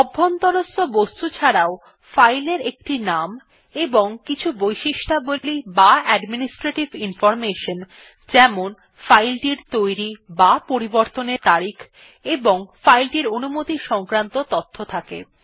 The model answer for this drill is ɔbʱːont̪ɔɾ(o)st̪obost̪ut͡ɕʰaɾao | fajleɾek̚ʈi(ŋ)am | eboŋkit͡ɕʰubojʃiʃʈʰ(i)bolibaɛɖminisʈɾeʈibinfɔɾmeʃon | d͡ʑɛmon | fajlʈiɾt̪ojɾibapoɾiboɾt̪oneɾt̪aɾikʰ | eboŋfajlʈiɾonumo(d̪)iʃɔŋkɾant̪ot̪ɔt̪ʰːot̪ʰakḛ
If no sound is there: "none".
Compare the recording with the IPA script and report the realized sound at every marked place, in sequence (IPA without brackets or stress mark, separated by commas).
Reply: o, n, a, t̪